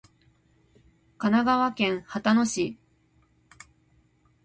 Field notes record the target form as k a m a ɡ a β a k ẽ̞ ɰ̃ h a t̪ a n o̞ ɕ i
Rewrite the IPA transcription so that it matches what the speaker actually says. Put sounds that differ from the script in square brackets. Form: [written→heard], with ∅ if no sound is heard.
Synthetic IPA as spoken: k a [m→n] a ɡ a β a k ẽ̞ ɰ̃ h a t̪ a n o̞ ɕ i